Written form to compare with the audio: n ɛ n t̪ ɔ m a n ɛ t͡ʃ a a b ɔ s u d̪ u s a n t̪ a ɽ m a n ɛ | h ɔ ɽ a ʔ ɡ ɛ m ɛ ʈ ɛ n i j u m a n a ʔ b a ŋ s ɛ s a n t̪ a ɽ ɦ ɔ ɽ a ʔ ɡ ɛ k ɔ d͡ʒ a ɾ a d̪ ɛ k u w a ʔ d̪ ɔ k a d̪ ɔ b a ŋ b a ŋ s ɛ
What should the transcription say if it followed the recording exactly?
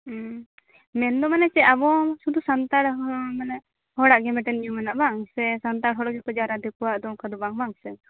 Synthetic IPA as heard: m ɛ n d̪ ɔ m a n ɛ t͡ʃ ɛ a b ɔ s u d̪ u s a n t̪ a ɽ m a n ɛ | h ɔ ɽ a ʔ ɡ ɛ m ɛ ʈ ɛ n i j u m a n a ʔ b a ŋ s ɛ s a n t̪ a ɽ ɦ ɔ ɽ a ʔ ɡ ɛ k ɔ d͡ʒ a ɾ a d̪ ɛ k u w a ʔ d̪ ɔ k a d̪ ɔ b a ŋ b a ŋ s ɛ

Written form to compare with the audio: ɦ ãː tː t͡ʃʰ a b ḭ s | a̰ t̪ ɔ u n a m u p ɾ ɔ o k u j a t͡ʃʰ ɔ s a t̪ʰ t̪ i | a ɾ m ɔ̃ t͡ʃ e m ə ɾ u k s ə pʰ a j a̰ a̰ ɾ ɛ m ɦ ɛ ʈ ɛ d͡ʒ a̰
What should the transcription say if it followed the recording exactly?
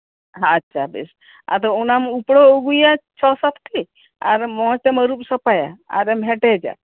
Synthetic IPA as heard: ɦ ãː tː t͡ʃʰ a b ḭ s | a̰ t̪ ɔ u n a m u p ɽ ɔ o ɡ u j a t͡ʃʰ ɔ s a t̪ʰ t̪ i | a ɾ m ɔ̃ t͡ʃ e m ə ɾ u p s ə p a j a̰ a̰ ɾ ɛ m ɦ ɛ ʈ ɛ d͡ʒ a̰

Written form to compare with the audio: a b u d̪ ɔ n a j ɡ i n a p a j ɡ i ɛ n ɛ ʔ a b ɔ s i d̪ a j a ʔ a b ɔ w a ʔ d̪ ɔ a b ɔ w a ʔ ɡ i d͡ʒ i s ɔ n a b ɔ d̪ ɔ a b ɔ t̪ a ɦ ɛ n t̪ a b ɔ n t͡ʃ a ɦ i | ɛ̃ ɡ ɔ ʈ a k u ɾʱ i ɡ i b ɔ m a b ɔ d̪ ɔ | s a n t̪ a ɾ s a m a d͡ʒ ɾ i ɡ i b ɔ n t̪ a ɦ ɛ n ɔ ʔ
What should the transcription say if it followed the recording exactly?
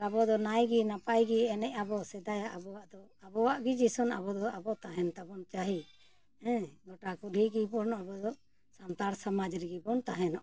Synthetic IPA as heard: a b ɔ d̪ ɔ n a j ɡ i n a p a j ɡ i ɛ n ɛ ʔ a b ɔ s ɛ d̪ a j a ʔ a b ɔ w a ʔ d̪ ɔ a b ɔ w a ʔ ɡ i d͡ʒ i s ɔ n a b ɔ d̪ ɔ a b ɔ t̪ a ɦ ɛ n t̪ a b ɔ n t͡ʃ a ɦ i | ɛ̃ ɡ ɔ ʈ a k u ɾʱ i ɡ i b ɔ n a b ɔ d̪ ɔ | s a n t̪ a ɾ s a m a d͡ʒ ɾ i ɡ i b ɔ n t̪ a ɦ ɛ n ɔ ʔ

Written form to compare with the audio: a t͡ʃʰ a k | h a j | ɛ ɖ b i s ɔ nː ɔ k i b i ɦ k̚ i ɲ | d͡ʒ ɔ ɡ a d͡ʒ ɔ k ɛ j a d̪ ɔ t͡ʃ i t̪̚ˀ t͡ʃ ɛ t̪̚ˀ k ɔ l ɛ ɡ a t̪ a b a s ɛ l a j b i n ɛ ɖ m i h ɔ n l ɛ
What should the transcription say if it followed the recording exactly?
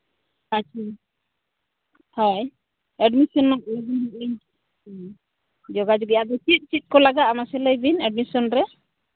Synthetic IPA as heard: a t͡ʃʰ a | h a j | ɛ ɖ m i s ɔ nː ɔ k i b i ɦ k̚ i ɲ | d͡ʒ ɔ ɡ a d͡ʒ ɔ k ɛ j a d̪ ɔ t͡ʃ i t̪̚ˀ t͡ʃ i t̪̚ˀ k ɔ l a ɡ a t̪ a m a s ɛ l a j b i n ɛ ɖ m i s ɔ n ɾ ɛ

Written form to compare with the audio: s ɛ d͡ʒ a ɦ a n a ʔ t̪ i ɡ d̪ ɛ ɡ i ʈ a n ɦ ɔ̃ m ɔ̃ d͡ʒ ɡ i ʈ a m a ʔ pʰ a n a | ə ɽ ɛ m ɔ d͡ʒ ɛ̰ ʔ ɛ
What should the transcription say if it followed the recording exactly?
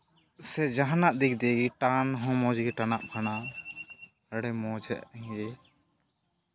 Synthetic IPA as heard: s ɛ d͡ʒ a ɦ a n a ʔ d̪ i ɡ d̪ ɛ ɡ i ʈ a n ɦ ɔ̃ m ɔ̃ d͡ʒ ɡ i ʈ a n a ʔ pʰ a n a | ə ɽ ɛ m ɔ d͡ʒ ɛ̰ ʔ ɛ

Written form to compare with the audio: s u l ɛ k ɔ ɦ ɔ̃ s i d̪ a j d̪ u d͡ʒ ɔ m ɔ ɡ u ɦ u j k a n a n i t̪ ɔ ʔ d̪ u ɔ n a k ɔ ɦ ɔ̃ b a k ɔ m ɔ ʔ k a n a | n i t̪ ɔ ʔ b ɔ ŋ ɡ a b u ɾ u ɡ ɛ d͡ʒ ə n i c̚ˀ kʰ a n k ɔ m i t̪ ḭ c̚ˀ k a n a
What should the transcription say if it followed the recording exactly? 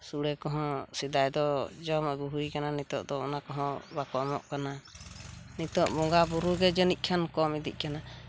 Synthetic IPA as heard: s u ɽ ɛ k ɔ ɦ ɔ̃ s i d̪ a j d̪ ɔ d͡ʒ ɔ m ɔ ɡ u ɦ u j k a n a n i t̪ ɔ ʔ d̪ ɔ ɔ n a k ɔ ɦ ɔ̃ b a k ɔ m ɔ ʔ k a n a | n i t̪ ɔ ʔ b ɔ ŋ ɡ a b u ɾ u ɡ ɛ d͡ʒ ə n i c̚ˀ kʰ a n k ɔ m i d̪ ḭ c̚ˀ k a n a

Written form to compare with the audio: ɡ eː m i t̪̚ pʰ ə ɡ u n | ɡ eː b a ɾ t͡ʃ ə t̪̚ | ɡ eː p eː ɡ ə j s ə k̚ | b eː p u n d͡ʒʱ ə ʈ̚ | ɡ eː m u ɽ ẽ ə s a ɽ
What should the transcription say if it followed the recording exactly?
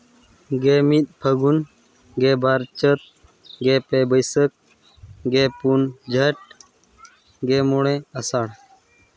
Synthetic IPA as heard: ɡ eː m i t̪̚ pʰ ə ɡ u n | ɡ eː b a ɾ t͡ʃ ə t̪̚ | ɡ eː p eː b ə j s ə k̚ | ɡ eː p u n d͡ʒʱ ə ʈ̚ | ɡ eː m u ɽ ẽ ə s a ɽ

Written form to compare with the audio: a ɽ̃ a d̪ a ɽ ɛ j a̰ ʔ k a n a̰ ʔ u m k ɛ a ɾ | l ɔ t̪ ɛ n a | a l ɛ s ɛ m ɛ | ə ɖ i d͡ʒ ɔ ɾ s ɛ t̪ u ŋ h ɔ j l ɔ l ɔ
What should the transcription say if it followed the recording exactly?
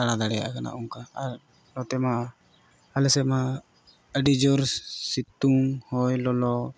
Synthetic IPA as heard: a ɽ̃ a d̪ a ɽ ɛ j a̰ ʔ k a n a̰ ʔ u ŋ k a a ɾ | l ɔ t̪ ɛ m a | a l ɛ s ɛ m a | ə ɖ i d͡ʒ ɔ ɾ s i t̪ u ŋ h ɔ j l ɔ l ɔ

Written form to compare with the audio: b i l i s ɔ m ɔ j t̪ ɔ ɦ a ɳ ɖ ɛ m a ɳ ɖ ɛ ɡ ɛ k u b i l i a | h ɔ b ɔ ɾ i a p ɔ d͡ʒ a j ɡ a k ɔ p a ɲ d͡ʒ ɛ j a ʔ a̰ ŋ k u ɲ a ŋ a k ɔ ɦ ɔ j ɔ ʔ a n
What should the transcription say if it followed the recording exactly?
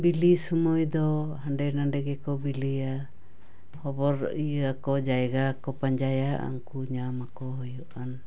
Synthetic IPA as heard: b i l i s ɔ m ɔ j d̪ ɔ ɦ a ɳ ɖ ɛ n a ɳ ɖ ɛ ɡ ɛ k ɔ b i l i a | h ɔ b ɔ ɾ i a k ɔ d͡ʒ a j ɡ a k ɔ p a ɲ d͡ʒ a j a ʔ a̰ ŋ k u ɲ a m a k ɔ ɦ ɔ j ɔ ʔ a n

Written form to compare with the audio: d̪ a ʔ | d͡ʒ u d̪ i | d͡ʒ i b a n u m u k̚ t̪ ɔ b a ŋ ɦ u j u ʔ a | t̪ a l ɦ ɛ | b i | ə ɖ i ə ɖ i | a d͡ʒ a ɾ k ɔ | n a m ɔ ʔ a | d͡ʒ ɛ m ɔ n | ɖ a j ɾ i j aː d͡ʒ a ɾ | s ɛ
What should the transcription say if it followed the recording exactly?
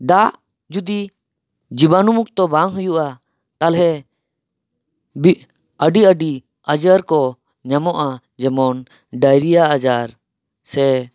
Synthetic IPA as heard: d̪ a ʔ | d͡ʒ u d̪ i | d͡ʒ i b a n u m u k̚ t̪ ɔ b a ŋ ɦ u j u ʔ a | t̪ a l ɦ ɛ | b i | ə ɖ i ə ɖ i | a d͡ʒ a ɾ k ɔ | ɲ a m ɔ ʔ a | d͡ʒ ɛ m ɔ n | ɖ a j ɾ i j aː d͡ʒ a ɾ | s ɛ

